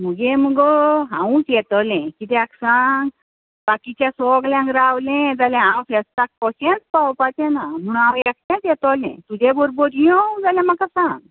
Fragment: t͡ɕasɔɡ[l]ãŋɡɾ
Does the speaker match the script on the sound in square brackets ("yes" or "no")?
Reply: yes